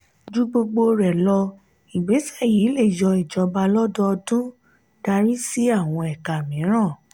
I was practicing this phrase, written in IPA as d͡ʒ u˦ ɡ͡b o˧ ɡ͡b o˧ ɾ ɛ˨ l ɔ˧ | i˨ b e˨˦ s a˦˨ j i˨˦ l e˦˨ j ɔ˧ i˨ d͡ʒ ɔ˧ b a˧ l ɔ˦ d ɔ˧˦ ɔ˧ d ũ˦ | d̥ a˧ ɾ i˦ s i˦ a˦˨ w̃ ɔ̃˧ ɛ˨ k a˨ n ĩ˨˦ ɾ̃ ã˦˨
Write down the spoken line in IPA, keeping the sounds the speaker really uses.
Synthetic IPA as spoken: d͡ʒ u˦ ɡ͡b o˧ ɡ͡b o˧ ɾ ɛ˨ l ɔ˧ | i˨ ɡ͡b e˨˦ s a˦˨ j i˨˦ l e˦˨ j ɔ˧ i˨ d͡ʒ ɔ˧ b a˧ l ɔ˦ d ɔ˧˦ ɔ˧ d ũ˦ | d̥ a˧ ɾ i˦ s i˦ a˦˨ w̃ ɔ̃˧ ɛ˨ k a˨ m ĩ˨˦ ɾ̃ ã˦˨